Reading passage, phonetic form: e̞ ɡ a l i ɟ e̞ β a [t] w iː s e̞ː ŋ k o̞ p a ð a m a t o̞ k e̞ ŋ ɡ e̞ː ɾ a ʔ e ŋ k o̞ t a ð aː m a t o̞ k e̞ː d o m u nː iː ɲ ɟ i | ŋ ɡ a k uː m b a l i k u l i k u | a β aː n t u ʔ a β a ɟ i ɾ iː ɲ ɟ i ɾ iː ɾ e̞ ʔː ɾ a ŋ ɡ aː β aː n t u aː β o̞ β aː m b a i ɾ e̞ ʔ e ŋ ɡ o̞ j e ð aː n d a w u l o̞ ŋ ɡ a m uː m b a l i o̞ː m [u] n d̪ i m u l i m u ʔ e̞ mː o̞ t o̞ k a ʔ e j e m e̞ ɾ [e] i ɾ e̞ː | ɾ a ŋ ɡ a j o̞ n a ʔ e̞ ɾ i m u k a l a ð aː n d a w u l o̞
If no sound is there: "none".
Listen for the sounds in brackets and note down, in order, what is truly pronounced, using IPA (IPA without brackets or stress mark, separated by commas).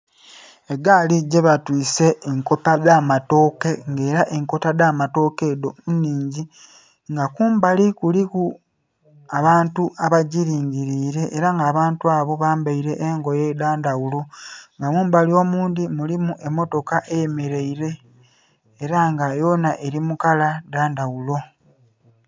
t, uː, e